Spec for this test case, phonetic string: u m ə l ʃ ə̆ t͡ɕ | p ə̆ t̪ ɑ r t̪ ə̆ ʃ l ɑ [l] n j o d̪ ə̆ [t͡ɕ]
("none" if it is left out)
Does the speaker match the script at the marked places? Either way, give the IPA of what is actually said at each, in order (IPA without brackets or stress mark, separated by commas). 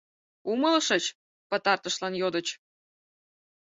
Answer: none, t͡ɕ